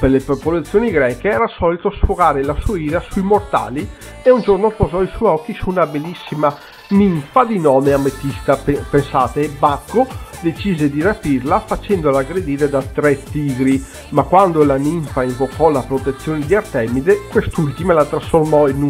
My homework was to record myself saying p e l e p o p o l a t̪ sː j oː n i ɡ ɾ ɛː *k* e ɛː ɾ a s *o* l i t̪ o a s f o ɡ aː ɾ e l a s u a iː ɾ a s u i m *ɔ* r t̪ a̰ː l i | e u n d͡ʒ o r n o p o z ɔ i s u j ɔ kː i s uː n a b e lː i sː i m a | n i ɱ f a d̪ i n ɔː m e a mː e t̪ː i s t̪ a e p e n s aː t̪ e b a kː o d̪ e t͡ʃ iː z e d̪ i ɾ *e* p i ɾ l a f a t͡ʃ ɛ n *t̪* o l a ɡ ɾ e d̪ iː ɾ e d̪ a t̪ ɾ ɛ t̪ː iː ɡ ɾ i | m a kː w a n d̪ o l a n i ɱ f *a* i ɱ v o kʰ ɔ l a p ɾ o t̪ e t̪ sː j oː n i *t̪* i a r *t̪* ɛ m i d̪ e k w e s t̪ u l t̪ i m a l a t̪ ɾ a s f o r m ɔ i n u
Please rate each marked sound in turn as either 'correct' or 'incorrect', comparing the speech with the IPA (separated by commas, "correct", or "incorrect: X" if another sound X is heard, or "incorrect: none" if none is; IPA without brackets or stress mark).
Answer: correct, incorrect: ɔ, incorrect: o, incorrect: a, incorrect: d̪, correct, incorrect: d̪, correct